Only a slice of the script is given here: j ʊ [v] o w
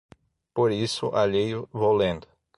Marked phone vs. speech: correct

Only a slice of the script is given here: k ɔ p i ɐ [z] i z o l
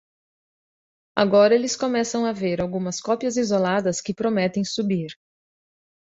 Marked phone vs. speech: correct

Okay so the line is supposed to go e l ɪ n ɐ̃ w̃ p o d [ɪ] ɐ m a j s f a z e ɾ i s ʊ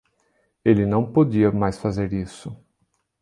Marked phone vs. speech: incorrect: i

